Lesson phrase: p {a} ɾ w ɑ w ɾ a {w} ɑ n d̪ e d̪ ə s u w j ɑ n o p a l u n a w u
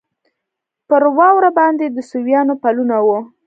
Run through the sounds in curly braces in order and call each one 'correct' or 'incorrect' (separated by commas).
incorrect, incorrect